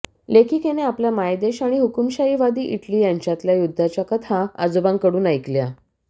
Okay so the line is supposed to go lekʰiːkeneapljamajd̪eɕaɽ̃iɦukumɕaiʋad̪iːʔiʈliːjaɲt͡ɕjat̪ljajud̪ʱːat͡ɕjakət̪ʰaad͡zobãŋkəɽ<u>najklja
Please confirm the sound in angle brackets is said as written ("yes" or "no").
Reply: no